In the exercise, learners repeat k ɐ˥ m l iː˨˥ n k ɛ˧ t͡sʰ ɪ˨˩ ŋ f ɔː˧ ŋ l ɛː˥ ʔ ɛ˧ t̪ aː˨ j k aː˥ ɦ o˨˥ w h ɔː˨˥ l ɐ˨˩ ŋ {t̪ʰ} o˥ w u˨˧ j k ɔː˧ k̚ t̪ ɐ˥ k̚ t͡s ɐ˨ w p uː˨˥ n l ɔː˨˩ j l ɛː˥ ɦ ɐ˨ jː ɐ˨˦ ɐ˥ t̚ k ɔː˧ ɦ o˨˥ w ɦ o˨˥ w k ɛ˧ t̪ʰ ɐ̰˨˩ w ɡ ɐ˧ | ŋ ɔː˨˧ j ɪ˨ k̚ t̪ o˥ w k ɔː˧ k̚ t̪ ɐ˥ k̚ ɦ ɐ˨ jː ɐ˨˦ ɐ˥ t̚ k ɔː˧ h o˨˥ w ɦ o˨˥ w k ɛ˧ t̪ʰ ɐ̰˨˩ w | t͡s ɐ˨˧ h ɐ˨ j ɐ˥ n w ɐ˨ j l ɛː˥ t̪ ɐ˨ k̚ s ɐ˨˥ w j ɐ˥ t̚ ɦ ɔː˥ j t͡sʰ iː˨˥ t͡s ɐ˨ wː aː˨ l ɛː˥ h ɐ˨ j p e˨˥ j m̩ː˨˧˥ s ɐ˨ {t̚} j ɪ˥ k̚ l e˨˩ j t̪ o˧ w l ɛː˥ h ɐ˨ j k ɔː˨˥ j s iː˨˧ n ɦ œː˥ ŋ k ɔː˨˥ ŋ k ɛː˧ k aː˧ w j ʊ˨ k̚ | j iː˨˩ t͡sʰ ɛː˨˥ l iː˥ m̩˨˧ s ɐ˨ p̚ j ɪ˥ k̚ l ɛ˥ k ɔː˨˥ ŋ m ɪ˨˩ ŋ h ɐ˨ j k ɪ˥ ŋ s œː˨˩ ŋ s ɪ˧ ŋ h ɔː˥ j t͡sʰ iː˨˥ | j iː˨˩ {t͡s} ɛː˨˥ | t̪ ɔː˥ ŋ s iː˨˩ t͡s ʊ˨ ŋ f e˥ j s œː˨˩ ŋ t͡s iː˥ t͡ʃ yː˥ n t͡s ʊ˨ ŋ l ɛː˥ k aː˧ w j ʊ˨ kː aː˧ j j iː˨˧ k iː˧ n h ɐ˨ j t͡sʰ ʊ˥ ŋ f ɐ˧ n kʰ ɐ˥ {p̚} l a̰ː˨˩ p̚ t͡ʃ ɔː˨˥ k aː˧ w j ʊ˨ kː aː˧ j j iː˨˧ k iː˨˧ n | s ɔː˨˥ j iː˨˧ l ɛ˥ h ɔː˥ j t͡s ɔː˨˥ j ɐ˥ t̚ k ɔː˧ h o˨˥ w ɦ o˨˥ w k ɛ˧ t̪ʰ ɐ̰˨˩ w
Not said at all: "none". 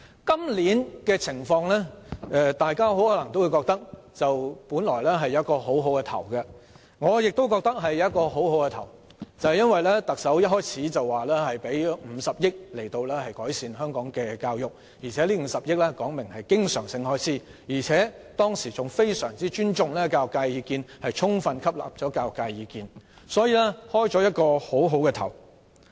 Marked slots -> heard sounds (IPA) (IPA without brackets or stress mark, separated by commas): t̪, p̚, t͡sʰ, p̚